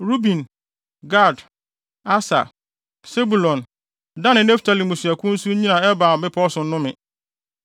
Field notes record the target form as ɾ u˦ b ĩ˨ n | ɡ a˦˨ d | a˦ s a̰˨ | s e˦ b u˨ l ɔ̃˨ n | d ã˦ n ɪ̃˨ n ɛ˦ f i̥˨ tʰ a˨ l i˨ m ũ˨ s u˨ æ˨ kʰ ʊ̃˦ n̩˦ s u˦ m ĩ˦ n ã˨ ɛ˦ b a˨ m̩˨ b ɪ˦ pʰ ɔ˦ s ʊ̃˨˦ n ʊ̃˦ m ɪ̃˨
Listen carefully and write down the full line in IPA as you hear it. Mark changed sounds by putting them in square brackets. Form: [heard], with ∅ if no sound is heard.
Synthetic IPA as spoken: ɾ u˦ b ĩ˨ n | ɡ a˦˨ d | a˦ s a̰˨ | s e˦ b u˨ l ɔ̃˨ n | d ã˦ n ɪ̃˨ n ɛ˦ f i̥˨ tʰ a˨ l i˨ m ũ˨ s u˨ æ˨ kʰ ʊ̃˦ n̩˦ s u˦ [ɲ] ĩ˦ n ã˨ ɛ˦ b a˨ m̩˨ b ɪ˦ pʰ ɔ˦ s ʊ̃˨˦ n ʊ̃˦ m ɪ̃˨